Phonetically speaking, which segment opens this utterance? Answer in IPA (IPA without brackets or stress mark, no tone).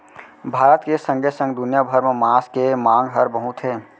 bʱ